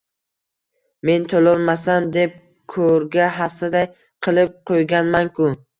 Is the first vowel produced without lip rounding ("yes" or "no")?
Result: yes